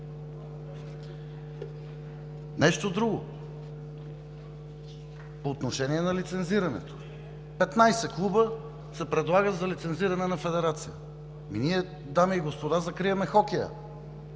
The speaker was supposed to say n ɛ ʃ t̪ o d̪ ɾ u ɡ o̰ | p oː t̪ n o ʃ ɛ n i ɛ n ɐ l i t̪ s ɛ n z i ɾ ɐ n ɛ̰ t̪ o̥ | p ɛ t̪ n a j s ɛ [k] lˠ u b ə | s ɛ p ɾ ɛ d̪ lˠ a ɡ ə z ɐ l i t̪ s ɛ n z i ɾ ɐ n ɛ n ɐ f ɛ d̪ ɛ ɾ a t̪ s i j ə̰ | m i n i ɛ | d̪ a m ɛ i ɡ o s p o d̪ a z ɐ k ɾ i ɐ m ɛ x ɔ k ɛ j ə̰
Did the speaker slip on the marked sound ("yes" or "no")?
no